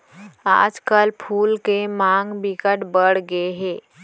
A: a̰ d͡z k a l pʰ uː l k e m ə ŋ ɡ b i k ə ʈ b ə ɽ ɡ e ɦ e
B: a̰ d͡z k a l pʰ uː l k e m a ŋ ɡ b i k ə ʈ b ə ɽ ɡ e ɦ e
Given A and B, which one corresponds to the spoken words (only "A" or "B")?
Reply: B